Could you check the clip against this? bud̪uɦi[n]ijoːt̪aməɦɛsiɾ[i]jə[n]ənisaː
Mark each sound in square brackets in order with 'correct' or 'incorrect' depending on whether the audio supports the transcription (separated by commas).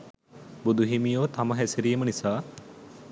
incorrect, correct, incorrect